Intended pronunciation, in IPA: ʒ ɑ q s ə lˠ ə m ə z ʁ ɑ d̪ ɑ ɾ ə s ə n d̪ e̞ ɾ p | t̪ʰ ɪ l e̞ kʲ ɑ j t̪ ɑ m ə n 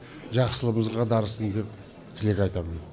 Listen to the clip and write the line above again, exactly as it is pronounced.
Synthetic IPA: ʒ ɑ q s ə lˠ ə m ə z ʁ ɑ d̪ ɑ ɾ ə s ə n d̪ e̞ p | t̪ʰ ɪ l e̞ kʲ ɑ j t̪ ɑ m ə n